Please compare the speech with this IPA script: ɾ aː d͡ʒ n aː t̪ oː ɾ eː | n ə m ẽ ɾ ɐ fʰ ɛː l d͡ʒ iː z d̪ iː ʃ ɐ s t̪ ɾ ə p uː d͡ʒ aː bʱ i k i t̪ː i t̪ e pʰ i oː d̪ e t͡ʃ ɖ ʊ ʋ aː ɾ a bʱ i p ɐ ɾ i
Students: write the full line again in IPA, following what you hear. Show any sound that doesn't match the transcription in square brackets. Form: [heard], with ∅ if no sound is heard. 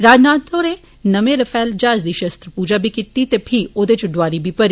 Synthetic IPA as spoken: ɾ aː d͡ʒ n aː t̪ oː ɾ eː | n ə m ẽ ɾ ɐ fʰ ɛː l d͡ʒ [aː] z d̪ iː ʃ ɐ s t̪ ɾ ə p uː d͡ʒ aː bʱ i k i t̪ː i t̪ e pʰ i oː d̪ e t͡ʃ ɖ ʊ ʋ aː ɾ [i] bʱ i p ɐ ɾ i